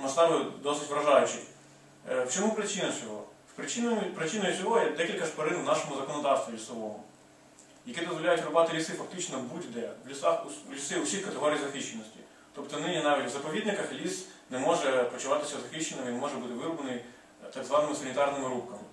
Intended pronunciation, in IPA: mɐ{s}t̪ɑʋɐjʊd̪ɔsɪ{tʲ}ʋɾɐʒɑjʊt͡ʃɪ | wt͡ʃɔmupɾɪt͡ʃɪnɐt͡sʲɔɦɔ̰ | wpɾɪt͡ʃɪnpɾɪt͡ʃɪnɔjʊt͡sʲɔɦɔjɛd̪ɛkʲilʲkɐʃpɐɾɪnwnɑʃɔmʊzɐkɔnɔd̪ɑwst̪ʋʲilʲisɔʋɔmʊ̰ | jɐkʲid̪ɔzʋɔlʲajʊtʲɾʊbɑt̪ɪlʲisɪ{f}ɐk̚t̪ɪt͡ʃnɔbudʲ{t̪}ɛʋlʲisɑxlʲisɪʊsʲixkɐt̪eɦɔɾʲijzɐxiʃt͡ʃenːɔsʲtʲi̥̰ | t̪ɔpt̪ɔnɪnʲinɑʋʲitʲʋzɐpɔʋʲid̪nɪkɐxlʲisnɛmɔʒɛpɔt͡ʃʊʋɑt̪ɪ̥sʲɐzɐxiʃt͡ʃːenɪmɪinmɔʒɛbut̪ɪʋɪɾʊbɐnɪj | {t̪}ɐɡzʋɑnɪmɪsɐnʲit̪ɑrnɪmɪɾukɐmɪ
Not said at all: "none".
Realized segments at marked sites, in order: s, tʲ, f, d̪, t̪

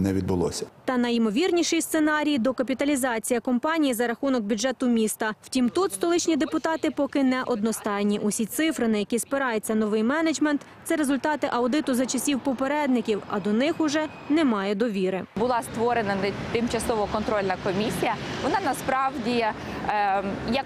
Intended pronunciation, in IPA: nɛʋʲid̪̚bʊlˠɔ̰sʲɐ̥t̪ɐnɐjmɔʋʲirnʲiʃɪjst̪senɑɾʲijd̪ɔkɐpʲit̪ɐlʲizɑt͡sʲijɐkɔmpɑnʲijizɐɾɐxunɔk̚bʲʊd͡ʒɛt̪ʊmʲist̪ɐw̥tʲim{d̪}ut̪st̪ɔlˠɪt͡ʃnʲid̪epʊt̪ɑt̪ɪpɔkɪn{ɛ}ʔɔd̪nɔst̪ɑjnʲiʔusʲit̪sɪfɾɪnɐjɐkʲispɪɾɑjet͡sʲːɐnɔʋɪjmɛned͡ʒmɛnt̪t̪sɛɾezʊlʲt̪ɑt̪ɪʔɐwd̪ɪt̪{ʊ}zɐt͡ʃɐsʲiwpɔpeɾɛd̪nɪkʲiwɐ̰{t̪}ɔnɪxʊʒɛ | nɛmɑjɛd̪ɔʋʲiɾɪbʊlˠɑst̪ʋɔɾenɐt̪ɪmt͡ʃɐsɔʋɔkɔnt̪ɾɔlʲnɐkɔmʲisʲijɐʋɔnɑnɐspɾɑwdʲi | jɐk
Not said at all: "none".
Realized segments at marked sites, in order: t̪, ɛ, ʊ, d̪

